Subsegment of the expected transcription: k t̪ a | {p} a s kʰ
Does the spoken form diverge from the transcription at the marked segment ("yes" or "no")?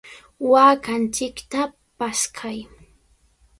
no